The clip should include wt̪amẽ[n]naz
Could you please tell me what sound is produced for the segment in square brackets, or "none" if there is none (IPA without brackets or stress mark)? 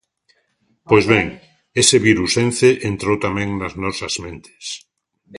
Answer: ŋ